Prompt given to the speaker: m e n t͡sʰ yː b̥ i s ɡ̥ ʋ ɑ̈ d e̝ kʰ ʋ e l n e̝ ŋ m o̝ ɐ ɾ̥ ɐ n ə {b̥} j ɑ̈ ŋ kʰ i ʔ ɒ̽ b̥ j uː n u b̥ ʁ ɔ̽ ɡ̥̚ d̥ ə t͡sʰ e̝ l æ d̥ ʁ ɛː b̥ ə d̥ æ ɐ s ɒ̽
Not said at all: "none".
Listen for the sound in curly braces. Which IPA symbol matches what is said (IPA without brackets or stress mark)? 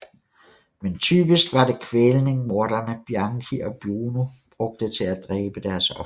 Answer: b̥